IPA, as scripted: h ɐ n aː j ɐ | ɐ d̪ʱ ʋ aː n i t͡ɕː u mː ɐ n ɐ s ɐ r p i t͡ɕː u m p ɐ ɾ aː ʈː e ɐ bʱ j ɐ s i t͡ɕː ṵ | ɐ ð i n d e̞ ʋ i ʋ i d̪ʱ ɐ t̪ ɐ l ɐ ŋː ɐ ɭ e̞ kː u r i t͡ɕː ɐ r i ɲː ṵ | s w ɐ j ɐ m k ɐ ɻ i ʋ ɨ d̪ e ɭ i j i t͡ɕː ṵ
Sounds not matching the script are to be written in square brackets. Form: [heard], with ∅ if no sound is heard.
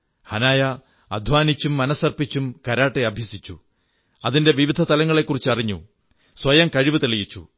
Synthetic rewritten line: h ɐ n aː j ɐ | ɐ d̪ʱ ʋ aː n i t͡ɕː u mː ɐ n ɐ s ɐ r p i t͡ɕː u m [k] ɐ ɾ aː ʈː e ɐ bʱ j ɐ s i t͡ɕː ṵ | ɐ ð i n d e̞ ʋ i ʋ i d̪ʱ ɐ t̪ ɐ l ɐ ŋː ɐ ɭ e̞ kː u r i t͡ɕː ɐ r i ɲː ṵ | s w ɐ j ɐ m k ɐ ɻ i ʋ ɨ [t̪] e ɭ i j i t͡ɕː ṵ